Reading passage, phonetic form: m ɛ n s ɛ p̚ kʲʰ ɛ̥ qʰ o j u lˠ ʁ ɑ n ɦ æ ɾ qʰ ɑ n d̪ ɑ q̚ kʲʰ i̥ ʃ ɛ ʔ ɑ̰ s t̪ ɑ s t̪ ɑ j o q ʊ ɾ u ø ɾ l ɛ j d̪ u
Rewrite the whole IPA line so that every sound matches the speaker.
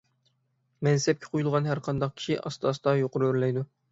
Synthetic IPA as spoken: m ɛ n s ɛ p̚ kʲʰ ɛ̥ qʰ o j u lˠ ʁ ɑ n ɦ æ ɾ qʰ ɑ n d̪ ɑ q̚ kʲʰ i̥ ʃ i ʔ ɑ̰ s t̪ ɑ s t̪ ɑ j o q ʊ ɾ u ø ɾ l ɛ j d̪ u